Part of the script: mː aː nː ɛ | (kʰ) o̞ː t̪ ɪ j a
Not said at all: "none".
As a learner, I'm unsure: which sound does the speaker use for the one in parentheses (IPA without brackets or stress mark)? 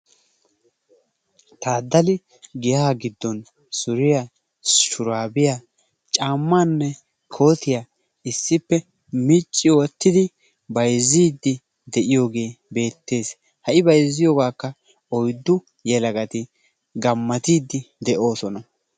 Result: kʰ